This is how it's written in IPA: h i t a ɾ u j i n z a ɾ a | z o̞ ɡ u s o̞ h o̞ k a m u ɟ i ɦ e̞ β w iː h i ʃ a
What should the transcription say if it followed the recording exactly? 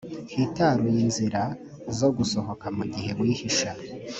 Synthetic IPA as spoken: h i t a ɾ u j i n z i ɾ a | z o̞ ɡ u s o̞ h o̞ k a m u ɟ i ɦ e̞ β w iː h i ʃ a

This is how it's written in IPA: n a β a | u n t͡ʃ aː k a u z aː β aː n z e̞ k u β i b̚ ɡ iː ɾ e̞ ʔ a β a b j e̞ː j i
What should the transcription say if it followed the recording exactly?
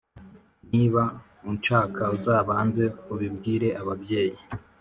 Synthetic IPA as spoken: n i β a | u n t͡ʃ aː k a u z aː β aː n z e̞ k u β i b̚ ɡ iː ɾ e̞ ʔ a β a b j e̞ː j i

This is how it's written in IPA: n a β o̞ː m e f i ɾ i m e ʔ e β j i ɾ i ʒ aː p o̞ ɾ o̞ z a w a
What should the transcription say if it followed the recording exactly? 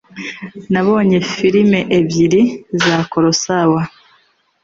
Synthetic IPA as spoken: n a β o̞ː ɲ e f i ɾ i m e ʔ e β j i ɾ i z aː k o̞ ɾ o̞ s a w a

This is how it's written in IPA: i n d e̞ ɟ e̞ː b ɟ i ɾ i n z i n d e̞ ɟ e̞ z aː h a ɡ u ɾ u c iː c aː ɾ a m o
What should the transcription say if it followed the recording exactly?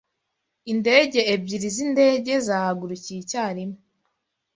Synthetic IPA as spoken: i n d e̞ ɟ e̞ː b ɟ i ɾ i z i n d e̞ ɟ e̞ z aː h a ɡ u ɾ u c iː c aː ɾ i m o

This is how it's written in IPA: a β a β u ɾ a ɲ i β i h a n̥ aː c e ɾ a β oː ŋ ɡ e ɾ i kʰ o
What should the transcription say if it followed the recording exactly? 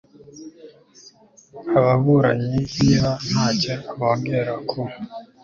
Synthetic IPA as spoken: a β a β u ɾ a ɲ i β i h a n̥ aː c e a β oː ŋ ɡ e ɾ a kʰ o

